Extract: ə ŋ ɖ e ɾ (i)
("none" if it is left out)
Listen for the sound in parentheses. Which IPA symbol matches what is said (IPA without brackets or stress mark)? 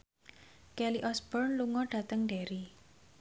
i